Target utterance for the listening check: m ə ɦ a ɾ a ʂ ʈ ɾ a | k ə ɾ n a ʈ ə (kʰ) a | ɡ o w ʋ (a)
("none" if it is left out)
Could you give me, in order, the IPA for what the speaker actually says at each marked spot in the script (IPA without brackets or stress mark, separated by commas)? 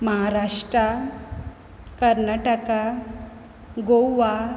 k, a